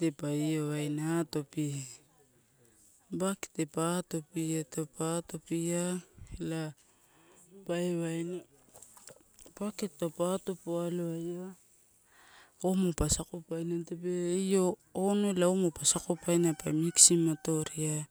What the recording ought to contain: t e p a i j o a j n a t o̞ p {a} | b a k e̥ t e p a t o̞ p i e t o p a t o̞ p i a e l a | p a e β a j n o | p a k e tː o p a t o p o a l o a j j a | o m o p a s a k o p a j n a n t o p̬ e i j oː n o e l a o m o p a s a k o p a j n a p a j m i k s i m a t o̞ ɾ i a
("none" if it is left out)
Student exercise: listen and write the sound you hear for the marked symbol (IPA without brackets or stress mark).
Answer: i